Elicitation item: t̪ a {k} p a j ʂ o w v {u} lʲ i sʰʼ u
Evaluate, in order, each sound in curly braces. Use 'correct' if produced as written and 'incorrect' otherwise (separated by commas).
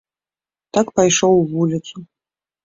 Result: correct, correct